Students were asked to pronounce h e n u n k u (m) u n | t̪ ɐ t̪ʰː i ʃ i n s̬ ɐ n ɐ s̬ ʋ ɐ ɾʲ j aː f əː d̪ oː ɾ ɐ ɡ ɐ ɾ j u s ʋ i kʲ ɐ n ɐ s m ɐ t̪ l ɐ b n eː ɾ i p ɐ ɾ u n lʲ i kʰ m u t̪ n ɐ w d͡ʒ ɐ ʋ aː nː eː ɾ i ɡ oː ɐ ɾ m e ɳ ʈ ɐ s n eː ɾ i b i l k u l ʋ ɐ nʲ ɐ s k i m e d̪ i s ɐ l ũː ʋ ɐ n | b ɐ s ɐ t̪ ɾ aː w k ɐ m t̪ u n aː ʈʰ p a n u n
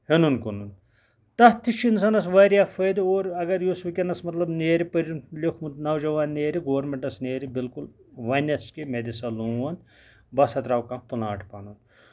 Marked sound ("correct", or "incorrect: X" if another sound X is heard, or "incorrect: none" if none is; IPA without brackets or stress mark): incorrect: n